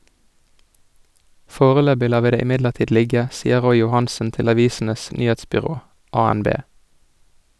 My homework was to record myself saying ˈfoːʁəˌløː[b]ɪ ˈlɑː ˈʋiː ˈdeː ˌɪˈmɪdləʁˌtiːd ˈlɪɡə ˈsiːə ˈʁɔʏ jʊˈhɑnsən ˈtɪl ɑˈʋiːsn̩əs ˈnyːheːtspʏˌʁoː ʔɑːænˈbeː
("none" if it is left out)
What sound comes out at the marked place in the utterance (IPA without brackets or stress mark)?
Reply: b